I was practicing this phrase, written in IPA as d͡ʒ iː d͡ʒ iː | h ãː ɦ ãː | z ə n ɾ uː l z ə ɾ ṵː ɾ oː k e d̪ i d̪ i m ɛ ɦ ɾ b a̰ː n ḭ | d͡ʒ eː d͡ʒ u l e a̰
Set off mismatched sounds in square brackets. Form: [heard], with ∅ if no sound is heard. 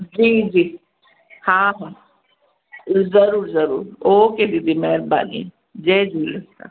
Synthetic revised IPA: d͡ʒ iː d͡ʒ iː | h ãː ɦ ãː | z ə [∅] ɾ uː [ɾ] z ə ɾ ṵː ɾ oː k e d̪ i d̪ i m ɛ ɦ ɾ b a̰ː n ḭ | d͡ʒ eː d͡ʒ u l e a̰